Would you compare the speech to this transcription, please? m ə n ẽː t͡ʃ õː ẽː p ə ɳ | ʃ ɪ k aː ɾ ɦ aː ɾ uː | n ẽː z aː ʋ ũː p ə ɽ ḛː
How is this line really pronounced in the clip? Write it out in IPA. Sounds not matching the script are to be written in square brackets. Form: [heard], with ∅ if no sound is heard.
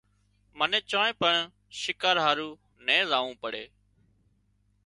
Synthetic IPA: m ə n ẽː t͡ʃ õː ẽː p ə ɳ | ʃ ɪ k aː ɾ ɦ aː ɾ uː | n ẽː z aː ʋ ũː p ə ɽ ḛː